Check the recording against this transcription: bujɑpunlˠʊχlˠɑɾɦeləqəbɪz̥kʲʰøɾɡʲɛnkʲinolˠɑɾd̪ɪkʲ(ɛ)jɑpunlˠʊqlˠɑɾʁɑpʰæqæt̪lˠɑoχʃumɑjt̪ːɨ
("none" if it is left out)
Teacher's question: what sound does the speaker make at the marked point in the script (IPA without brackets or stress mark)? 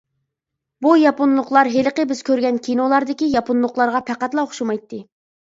i